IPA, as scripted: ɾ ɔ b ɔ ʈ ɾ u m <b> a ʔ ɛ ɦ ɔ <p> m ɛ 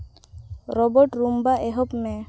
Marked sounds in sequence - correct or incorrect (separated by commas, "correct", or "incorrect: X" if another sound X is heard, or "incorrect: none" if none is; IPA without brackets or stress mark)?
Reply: correct, correct